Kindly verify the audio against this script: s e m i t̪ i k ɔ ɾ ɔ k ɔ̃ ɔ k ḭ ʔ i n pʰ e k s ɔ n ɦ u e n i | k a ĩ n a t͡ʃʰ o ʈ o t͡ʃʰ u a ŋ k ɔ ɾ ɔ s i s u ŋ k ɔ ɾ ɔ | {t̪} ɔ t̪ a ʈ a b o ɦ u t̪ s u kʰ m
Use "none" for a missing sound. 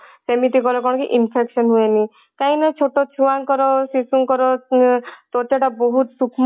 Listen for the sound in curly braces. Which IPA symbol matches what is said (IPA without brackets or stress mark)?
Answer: t̪